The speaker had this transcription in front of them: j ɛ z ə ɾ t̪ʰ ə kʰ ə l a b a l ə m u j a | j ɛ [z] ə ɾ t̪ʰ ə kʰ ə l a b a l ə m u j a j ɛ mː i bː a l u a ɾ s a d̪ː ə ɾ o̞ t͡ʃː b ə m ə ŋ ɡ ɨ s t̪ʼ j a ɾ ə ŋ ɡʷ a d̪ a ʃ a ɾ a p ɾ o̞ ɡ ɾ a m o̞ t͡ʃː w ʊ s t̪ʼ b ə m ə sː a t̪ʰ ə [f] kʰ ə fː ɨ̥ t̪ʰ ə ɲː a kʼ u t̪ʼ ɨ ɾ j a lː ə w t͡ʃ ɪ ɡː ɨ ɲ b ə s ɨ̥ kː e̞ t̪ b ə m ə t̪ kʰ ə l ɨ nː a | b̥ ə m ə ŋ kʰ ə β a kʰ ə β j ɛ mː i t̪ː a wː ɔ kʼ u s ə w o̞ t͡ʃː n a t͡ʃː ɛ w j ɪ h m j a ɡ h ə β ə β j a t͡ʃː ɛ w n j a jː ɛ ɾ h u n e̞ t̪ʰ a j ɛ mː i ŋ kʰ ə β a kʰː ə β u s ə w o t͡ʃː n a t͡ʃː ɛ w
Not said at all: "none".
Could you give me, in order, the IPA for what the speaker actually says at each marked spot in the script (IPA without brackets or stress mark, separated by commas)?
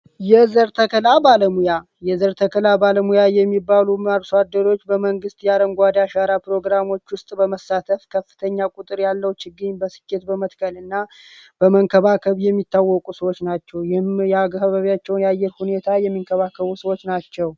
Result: z, f